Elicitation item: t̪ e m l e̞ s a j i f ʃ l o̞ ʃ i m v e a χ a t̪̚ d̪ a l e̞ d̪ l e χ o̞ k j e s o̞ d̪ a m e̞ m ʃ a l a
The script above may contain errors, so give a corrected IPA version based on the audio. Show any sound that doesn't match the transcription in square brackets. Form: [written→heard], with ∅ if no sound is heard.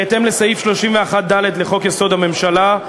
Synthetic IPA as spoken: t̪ e m l e̞ s a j i f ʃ l o̞ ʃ i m v e a χ a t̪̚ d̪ a l e̞ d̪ l e χ o̞ k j e s o̞ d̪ a m e̞ m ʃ a l a